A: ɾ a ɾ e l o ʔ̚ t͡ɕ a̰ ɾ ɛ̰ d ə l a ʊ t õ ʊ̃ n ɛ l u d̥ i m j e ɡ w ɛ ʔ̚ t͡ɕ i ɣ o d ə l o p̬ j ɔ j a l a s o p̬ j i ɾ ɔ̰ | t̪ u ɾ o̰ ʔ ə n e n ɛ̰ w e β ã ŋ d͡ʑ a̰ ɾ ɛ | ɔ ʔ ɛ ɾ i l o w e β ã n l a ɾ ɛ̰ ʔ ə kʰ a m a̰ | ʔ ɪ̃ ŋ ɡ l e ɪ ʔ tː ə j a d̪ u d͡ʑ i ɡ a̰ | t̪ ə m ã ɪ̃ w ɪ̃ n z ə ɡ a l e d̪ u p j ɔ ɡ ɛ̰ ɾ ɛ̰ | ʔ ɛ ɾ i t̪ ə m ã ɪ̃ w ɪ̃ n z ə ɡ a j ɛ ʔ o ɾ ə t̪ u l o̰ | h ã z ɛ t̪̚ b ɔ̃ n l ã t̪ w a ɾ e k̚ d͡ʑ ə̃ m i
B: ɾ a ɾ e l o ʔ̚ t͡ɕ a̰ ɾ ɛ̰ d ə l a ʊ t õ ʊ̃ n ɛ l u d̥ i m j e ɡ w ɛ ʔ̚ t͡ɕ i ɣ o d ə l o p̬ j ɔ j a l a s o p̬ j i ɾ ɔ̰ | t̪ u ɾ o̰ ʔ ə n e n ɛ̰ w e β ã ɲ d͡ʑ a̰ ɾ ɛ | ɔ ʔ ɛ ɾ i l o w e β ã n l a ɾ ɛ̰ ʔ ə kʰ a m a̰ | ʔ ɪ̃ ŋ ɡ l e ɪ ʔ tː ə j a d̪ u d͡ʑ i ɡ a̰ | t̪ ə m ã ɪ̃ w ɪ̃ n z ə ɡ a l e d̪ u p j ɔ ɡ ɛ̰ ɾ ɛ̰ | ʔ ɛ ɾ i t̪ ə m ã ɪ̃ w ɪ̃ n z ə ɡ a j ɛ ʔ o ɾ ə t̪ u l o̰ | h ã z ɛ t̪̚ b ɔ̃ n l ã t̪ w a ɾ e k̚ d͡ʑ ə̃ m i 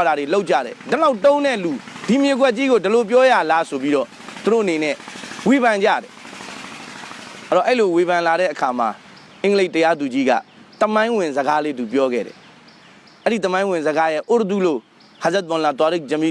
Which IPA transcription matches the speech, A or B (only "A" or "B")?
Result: B